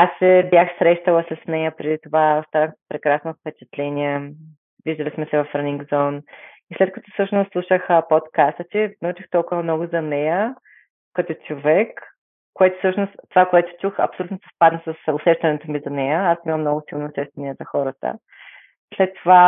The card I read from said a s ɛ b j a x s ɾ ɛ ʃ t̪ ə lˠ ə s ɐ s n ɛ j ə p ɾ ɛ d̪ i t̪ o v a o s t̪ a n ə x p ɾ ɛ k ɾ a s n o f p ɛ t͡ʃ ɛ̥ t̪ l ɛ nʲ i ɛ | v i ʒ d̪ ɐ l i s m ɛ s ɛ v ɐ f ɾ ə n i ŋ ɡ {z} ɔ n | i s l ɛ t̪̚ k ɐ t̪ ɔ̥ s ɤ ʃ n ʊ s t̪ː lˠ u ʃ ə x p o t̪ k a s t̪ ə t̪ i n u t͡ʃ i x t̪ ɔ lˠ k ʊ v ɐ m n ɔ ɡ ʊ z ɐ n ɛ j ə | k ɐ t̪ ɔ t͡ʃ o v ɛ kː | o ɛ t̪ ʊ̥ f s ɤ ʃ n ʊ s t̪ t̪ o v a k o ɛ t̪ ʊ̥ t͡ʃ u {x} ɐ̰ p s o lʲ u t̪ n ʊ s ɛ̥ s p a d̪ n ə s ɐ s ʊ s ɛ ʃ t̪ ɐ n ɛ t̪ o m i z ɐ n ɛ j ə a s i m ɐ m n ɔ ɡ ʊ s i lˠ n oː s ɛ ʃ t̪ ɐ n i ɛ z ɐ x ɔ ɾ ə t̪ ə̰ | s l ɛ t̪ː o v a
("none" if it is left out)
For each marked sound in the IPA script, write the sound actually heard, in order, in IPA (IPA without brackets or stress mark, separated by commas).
z, x